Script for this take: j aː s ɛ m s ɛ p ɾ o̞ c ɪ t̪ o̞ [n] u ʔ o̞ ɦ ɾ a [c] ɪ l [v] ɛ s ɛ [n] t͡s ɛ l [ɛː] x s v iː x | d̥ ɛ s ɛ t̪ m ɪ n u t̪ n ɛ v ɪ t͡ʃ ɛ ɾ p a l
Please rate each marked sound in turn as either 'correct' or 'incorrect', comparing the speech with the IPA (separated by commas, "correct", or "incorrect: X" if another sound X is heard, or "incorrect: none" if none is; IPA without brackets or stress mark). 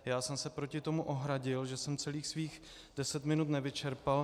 incorrect: m, incorrect: ɟ, incorrect: ʒ, incorrect: m, incorrect: iː